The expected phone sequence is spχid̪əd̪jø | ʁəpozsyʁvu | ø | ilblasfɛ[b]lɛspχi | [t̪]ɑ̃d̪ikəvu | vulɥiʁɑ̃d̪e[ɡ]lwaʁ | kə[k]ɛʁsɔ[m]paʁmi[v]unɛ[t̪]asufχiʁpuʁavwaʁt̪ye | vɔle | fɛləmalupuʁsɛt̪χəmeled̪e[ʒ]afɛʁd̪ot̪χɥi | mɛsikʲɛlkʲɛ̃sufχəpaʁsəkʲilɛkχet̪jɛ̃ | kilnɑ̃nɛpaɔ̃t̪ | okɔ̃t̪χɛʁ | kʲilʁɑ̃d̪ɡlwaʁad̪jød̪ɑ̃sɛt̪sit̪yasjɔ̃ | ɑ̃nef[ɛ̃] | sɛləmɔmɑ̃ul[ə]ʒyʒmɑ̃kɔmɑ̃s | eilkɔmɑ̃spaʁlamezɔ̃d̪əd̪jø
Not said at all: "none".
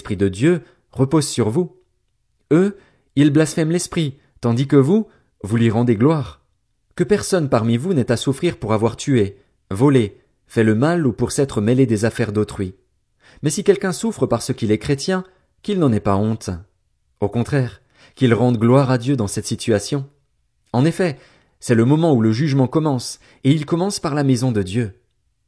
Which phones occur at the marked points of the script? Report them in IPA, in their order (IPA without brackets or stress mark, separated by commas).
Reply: m, t̪, ɡ, p, n, v, t̪, z, ɛ, ə